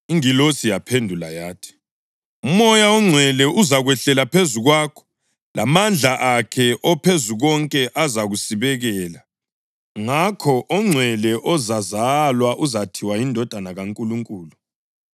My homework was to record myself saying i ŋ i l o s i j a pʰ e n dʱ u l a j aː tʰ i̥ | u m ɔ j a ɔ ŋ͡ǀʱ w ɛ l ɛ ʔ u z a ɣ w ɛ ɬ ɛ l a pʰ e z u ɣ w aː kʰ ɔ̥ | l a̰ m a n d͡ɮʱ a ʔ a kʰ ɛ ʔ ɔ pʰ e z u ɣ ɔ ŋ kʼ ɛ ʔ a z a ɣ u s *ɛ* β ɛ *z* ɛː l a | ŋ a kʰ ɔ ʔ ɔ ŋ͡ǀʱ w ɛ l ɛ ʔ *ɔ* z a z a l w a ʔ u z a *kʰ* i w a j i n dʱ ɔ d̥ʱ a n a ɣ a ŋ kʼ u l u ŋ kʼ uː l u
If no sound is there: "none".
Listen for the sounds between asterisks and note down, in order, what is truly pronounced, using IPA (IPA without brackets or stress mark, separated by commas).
i, ɣ, ɔ, tʰ